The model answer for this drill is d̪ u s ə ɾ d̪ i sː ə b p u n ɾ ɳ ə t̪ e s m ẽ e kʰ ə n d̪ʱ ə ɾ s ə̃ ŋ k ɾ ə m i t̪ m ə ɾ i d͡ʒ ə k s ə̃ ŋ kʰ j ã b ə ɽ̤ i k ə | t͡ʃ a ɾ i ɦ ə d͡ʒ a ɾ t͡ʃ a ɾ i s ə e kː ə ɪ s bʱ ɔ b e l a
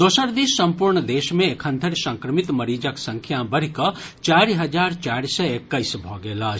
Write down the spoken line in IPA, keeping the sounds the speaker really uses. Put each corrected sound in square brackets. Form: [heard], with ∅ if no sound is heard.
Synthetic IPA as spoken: d̪ [o] s ə ɾ d̪ i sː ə [m] p u [∅] ɾ ɳ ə [d̪] e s m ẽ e kʰ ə n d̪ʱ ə ɾ s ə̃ ŋ k ɾ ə m i t̪ m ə ɾ i d͡ʒ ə k s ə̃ ŋ kʰ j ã b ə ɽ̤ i k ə | t͡ʃ a ɾ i ɦ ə d͡ʒ a ɾ t͡ʃ a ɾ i s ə e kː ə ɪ s bʱ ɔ [ɡ] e l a